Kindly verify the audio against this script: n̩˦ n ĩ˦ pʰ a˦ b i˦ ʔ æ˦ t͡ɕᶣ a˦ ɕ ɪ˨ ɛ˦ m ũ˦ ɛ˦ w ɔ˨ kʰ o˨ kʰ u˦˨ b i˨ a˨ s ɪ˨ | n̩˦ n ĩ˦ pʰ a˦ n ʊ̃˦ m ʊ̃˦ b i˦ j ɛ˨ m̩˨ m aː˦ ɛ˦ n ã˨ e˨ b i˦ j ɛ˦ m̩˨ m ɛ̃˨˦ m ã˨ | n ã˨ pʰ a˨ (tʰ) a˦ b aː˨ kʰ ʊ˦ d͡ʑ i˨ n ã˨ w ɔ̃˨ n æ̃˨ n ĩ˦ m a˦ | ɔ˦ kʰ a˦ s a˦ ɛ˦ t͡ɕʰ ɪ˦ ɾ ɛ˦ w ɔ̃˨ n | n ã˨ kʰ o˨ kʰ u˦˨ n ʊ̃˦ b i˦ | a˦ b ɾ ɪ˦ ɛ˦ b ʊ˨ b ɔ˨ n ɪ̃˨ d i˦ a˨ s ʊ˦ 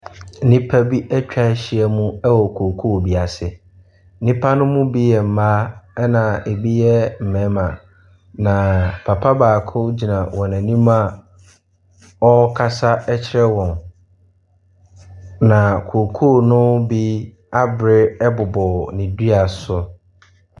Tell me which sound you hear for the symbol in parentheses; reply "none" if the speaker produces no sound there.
pʰ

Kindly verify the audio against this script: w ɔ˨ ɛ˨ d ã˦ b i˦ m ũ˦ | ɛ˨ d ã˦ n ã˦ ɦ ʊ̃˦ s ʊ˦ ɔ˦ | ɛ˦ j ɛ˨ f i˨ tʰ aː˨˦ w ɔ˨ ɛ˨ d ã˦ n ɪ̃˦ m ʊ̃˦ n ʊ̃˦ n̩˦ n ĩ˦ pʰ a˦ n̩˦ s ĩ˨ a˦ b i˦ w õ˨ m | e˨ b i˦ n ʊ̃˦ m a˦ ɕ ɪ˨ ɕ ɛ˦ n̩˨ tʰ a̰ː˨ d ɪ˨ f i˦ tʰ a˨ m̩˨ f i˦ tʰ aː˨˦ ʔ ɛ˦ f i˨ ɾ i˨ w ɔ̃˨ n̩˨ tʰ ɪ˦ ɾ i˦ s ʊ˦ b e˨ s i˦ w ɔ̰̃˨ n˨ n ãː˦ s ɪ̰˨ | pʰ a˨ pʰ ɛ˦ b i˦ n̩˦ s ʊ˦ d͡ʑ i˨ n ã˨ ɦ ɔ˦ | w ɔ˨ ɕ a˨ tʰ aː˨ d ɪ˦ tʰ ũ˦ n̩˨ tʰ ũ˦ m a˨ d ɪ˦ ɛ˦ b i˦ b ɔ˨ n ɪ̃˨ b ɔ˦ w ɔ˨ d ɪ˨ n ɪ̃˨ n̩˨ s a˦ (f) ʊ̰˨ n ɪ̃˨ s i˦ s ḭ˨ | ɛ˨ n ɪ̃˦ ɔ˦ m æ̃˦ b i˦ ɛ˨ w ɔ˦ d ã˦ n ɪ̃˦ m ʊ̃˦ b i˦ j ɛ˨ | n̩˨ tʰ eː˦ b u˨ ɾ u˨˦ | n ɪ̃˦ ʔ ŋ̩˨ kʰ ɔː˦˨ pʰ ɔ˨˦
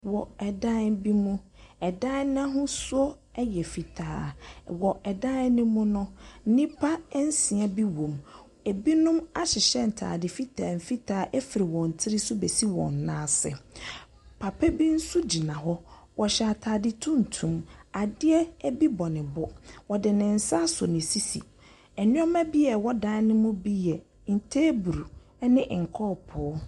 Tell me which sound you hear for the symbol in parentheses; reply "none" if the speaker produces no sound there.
s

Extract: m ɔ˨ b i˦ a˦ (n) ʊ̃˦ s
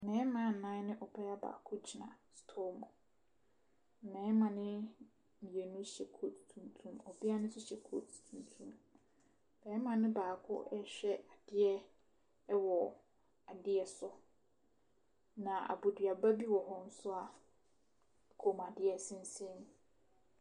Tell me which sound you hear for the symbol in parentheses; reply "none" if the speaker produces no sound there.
n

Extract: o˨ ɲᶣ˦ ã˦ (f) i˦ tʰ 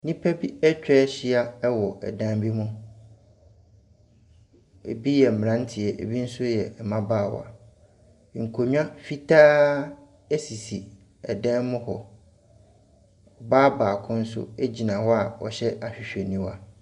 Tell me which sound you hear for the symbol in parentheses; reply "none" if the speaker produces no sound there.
f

